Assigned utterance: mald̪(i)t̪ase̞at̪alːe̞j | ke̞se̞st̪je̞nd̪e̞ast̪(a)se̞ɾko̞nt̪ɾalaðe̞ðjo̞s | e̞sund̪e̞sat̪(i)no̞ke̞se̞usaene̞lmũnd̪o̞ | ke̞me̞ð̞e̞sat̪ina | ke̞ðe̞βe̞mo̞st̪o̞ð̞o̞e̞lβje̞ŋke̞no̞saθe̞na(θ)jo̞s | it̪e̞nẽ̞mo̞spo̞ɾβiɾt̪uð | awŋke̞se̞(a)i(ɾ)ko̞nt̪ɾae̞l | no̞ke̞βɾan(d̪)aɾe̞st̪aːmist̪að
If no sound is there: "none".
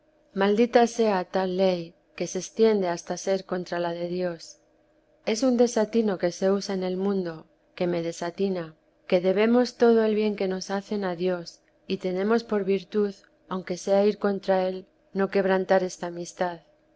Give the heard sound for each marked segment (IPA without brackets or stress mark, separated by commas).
i, a, i, ð, a, ɾ, t̪